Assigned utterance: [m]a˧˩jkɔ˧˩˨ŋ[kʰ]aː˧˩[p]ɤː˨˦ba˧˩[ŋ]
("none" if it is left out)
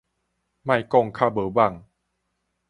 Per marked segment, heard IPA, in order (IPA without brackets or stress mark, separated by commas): m, kʰ, b, ŋ